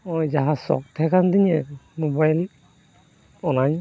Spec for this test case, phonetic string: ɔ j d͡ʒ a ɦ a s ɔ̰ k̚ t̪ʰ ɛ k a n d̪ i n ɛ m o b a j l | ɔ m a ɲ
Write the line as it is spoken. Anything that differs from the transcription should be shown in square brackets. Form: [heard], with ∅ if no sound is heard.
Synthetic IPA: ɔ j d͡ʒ a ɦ a s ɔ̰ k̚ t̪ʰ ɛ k a n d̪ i [ɲ] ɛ m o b a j l | ɔ [n] a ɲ